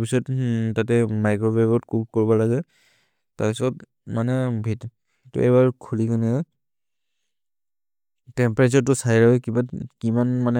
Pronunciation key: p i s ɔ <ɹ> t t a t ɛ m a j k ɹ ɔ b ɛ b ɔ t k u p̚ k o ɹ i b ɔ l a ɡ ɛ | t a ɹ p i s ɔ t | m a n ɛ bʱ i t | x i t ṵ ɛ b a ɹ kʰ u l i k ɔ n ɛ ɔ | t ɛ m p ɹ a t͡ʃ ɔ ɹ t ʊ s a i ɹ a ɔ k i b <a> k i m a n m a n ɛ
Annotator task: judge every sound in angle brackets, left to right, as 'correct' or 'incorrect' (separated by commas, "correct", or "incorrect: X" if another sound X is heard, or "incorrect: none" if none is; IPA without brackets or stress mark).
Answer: incorrect: none, correct